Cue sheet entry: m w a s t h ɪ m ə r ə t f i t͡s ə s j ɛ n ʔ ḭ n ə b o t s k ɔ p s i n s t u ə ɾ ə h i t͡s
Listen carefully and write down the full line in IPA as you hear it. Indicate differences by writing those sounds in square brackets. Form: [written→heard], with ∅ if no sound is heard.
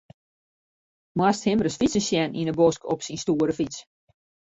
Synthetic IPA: m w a s t h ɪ m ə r ə [t→s] f i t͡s ə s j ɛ n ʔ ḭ n ə b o [t→∅] s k ɔ p s i n s t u ə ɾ ə [h→f] i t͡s